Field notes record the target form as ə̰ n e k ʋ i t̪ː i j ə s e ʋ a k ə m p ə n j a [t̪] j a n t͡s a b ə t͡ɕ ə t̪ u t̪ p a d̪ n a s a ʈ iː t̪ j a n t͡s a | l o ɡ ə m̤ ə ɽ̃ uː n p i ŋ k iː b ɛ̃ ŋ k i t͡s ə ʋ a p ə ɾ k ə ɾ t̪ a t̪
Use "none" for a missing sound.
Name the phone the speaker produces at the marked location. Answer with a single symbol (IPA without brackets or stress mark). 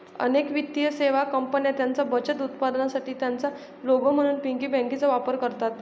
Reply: t̪